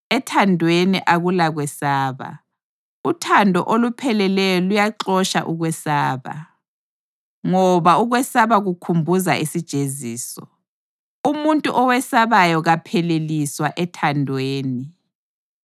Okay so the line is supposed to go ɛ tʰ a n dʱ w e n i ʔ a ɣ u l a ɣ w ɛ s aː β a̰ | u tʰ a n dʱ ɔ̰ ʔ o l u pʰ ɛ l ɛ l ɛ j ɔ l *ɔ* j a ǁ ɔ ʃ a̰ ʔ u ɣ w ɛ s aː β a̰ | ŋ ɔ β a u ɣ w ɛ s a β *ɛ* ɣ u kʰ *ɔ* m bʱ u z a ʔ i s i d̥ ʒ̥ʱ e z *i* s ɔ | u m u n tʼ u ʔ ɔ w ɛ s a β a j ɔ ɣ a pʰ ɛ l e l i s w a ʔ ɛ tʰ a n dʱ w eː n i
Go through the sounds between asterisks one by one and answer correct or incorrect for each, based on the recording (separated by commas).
incorrect, incorrect, incorrect, incorrect